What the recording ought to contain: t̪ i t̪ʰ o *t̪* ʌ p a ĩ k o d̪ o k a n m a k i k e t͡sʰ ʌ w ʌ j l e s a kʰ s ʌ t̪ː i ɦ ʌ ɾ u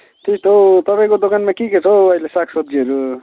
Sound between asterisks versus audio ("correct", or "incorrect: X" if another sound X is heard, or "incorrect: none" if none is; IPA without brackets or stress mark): correct